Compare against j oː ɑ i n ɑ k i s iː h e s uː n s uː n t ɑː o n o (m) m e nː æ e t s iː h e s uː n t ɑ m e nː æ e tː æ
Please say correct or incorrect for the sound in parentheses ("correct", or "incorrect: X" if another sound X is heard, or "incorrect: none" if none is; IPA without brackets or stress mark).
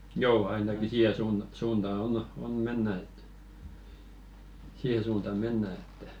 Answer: incorrect: n